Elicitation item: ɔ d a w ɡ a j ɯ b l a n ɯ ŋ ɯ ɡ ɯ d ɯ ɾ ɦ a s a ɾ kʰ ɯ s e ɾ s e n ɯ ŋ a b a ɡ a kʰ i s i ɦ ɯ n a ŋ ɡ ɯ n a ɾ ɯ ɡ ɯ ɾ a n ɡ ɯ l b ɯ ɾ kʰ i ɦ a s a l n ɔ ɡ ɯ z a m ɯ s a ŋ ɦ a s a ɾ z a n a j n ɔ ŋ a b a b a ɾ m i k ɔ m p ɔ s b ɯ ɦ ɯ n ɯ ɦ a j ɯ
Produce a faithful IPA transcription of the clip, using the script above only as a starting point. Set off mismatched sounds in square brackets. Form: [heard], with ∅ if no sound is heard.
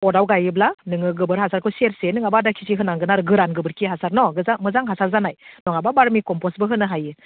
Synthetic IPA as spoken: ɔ d a w ɡ a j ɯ b l a n ɯ ŋ ɯ ɡ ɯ [b] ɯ ɾ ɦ a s a ɾ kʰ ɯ s e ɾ s e n ɯ ŋ a b a [d] a kʰ i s i ɦ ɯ n a ŋ ɡ ɯ n a ɾ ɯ ɡ ɯ ɾ a n ɡ ɯ [∅] b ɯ ɾ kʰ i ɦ a s a [ɾ] n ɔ ɡ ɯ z a m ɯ [z] a ŋ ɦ a s a ɾ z a n a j n ɔ ŋ a b a b a ɾ m i k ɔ m p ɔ s b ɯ ɦ ɯ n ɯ ɦ a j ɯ